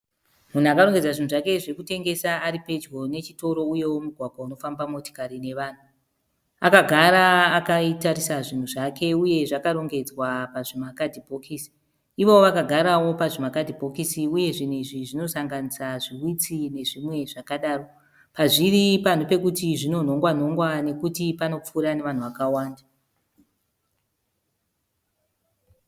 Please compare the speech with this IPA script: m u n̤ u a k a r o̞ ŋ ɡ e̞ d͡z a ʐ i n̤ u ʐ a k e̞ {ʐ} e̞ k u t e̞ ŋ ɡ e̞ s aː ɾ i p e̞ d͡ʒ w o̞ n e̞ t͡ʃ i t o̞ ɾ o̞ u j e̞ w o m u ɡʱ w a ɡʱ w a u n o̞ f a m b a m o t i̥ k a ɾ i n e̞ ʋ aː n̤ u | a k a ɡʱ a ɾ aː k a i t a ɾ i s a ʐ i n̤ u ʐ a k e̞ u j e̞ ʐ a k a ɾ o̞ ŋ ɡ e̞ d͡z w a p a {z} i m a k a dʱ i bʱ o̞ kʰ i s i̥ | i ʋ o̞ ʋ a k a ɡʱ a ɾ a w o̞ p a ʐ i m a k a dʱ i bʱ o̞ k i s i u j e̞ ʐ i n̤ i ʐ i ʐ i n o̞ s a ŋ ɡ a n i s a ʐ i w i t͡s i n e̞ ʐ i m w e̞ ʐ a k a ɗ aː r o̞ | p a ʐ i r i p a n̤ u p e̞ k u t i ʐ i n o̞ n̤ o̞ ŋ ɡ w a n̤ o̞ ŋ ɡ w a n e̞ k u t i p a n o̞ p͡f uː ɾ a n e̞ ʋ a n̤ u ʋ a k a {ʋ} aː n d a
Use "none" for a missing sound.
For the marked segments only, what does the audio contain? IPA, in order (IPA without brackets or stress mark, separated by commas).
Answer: ʐ, ʐ, w